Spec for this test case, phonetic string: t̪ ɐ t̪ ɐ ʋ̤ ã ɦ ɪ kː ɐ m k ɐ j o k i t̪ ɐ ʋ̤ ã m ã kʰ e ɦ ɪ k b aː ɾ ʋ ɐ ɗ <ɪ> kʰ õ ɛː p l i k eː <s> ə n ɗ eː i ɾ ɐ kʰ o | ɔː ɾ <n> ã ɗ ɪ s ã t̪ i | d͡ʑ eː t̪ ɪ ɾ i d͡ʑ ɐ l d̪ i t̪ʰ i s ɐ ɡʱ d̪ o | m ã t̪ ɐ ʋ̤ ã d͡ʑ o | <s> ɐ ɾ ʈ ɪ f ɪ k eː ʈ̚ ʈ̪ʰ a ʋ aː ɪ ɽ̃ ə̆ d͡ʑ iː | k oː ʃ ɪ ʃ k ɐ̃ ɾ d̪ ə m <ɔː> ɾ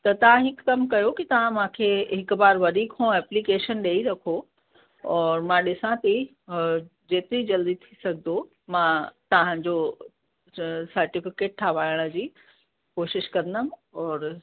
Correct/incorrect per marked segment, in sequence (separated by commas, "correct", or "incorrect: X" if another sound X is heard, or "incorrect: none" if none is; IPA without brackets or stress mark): incorrect: i, incorrect: ʃ, incorrect: m, correct, correct